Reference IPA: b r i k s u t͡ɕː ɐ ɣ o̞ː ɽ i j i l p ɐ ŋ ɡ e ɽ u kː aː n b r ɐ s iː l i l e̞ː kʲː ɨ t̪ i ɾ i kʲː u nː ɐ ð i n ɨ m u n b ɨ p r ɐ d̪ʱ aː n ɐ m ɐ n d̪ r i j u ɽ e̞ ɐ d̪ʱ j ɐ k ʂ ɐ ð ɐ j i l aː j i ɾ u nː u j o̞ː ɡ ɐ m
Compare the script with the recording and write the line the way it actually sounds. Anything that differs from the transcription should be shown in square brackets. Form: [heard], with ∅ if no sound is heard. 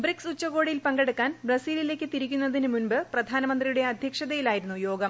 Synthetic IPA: b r i k s u t͡ɕː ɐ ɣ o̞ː ɽ i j i l p ɐ ŋ ɡ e ɽ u kː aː n b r ɐ s iː l i l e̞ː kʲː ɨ t̪ i ɾ i kʲː u nː ɐ ð i n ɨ m u n b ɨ p r ɐ d̪ʱ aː n ɐ m ɐ n d̪ r i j u ɽ e̞ ɐ d̪ʱ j ɐ k ʂ ɐ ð ɐ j i l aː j i ɾ u nː u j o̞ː ɡ ɐ m